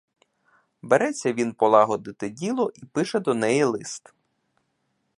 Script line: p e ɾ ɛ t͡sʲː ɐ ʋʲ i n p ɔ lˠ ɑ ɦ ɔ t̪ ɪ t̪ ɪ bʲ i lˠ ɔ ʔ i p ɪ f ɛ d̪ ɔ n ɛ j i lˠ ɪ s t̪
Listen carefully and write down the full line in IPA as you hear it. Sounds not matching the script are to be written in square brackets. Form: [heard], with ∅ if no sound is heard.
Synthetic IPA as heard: [b] e ɾ ɛ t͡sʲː ɐ ʋʲ i n p ɔ lˠ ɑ ɦ ɔ [d̪] ɪ t̪ ɪ [dʲ] i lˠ ɔ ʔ i p ɪ [ʃ] ɛ d̪ ɔ n ɛ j i lˠ ɪ s t̪

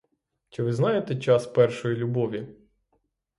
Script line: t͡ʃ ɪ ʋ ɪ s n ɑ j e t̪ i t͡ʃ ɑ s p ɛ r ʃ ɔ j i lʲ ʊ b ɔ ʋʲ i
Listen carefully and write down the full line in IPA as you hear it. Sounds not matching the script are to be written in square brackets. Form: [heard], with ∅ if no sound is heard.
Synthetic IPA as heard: t͡ʃ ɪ ʋ ɪ [z] n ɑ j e t̪ [ɛ] t͡ʃ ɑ s p ɛ r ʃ ɔ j i lʲ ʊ b ɔ ʋʲ i

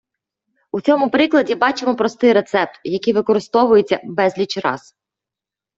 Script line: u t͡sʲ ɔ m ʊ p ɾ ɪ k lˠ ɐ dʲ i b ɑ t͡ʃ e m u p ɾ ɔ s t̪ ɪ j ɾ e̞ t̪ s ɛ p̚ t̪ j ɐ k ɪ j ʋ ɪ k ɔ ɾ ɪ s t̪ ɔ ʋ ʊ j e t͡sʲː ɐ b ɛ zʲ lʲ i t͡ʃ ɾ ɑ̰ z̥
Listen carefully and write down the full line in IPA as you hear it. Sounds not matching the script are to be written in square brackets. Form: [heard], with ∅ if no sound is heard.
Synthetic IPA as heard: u t͡sʲ ɔ m ʊ p ɾ ɪ k lˠ ɐ dʲ i b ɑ t͡ʃ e m [ɔ] p ɾ ɔ s t̪ ɪ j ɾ e̞ t̪ s ɛ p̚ t̪ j ɐ k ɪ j ʋ ɪ k ɔ ɾ ɪ s t̪ ɔ ʋ ʊ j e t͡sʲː ɐ b ɛ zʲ lʲ i t͡ʃ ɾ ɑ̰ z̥

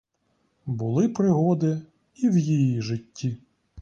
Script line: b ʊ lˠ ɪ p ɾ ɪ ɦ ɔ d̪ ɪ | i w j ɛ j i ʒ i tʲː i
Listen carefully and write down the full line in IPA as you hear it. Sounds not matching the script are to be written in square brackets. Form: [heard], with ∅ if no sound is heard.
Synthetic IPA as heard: b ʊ lˠ ɪ p ɾ ɪ ɦ ɔ d̪ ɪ | i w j [i] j i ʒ [ɪ] tʲː i

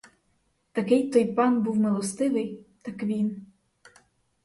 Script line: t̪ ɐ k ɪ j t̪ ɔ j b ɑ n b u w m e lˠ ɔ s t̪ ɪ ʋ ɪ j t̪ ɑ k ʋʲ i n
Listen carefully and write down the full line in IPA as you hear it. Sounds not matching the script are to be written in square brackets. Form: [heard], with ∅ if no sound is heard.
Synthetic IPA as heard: t̪ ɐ k ɪ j t̪ ɔ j [p] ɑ n b u w m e lˠ ɔ s t̪ ɪ ʋ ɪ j t̪ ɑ k ʋʲ i n

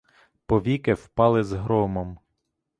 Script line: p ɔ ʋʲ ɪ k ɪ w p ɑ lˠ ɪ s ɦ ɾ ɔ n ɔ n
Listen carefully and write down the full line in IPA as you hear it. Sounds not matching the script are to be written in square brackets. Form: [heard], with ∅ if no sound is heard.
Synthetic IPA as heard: p ɔ ʋʲ [i] k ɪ w p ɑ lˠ ɪ [z] ɦ ɾ ɔ [m] ɔ [m]

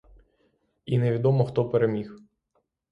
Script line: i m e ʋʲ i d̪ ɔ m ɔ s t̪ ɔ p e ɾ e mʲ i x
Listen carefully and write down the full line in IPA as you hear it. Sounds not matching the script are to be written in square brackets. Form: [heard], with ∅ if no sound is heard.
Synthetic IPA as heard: i [n] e ʋʲ i d̪ ɔ m ɔ [x] t̪ ɔ p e ɾ e mʲ i x

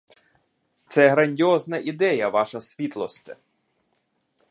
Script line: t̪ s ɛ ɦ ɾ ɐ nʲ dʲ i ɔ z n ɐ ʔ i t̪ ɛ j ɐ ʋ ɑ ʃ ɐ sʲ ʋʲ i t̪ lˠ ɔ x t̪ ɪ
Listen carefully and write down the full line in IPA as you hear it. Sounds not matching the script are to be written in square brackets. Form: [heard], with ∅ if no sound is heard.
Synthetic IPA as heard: t̪ s ɛ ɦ ɾ ɐ nʲ dʲ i ɔ z n ɐ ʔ i [d̪] ɛ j ɐ ʋ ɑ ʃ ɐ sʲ ʋʲ i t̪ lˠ ɔ [s] t̪ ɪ

